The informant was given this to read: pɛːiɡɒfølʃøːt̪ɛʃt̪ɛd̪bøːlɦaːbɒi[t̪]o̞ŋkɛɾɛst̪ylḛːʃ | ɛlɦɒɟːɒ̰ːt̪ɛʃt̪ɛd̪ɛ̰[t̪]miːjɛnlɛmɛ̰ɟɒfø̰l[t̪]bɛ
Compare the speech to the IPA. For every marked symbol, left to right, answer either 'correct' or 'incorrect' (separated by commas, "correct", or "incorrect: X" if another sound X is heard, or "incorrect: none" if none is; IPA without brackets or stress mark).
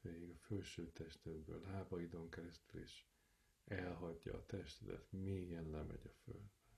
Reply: incorrect: d̪, correct, incorrect: d̪